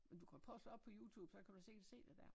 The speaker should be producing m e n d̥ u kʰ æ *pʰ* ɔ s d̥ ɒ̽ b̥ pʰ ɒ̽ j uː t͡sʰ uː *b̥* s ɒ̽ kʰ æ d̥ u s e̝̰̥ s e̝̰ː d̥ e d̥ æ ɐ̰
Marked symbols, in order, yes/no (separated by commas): yes, yes